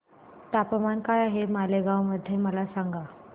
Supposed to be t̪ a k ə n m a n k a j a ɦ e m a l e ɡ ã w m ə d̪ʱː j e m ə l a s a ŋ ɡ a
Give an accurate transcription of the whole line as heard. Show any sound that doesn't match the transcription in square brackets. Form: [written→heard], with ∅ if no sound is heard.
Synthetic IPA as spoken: t̪ a [k→p] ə [n→∅] m a n k a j a ɦ e m a l e ɡ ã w m ə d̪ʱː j e m ə l a s a ŋ ɡ a